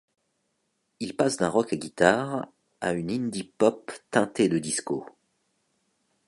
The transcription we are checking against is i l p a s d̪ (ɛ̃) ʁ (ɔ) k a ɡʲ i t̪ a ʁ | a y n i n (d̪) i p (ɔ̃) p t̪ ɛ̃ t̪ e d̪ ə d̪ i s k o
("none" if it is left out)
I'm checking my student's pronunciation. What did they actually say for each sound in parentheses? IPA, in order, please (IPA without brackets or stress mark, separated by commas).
ɛ̃, ɔ, d̪, ɔ